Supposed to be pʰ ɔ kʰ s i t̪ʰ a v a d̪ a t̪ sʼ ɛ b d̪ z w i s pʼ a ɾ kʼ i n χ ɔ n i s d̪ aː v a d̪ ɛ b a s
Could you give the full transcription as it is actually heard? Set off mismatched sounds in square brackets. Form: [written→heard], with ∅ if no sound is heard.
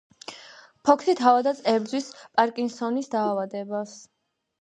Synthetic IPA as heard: pʰ ɔ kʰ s i t̪ʰ a v a d̪ a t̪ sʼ ɛ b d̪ z w i s pʼ a ɾ kʼ i n [χ→s] ɔ n i s d̪ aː v a d̪ ɛ b a s